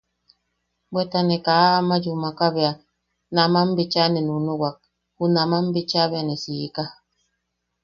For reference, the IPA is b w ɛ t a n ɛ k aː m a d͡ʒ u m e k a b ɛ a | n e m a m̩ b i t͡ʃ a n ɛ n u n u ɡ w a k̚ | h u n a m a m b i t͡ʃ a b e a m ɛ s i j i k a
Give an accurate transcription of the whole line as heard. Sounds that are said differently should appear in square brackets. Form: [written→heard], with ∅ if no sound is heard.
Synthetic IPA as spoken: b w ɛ t a n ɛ k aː m a d͡ʒ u m [e→a] k a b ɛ a | n [e→a] m a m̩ b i t͡ʃ a n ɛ n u n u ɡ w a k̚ | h u n a m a m b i t͡ʃ a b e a [m→n] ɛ s i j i k a